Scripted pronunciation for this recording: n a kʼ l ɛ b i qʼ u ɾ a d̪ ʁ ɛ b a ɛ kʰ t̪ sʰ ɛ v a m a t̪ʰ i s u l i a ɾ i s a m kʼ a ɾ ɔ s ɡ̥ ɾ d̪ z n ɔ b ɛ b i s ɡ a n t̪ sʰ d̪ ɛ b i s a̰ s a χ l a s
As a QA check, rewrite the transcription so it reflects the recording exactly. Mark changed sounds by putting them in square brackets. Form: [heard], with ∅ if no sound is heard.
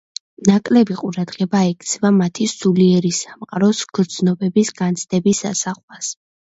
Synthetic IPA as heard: n a kʼ l ɛ b i qʼ u ɾ a d̪ ʁ ɛ b a ɛ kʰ t̪ sʰ ɛ v a m a t̪ʰ i s u l i [ɛ] ɾ i s a m [qʼ] a ɾ ɔ s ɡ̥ ɾ d̪ z n ɔ b ɛ b i s ɡ a n t̪ sʰ d̪ ɛ b i s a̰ s a χ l a s